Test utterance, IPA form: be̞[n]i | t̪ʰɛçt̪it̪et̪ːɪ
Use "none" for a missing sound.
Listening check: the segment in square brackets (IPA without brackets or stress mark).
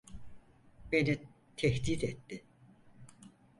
n